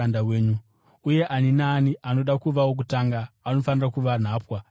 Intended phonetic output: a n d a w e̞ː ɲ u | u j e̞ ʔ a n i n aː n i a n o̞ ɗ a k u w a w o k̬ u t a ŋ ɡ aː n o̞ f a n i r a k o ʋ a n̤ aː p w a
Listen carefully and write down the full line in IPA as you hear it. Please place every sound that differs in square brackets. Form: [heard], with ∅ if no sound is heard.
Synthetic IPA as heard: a n d a w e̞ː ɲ u | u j e̞ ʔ a n i n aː n i a n o̞ ɗ a k u [ʋ] a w o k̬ u t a ŋ ɡ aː n o̞ f a n i r a k [u] ʋ a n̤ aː p w a